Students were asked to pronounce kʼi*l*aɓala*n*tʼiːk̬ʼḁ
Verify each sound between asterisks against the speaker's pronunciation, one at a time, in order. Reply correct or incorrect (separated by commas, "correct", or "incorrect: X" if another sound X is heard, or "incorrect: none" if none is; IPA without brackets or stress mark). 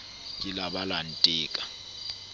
correct, correct